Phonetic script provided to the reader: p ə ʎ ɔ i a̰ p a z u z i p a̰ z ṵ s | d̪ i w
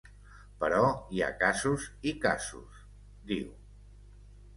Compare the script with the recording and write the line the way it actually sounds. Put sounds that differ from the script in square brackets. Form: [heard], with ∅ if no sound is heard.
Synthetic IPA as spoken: p ə [ɾ] ɔ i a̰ [k] a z u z i [k] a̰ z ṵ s | d̪ i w